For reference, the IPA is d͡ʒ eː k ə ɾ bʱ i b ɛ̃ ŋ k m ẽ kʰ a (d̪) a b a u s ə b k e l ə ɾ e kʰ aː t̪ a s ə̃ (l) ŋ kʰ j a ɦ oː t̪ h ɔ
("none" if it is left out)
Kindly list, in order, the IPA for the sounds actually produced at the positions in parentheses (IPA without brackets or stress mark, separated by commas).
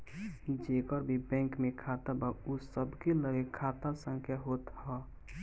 t̪, none